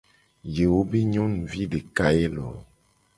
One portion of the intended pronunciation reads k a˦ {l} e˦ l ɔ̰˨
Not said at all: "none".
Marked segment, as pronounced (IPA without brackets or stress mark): none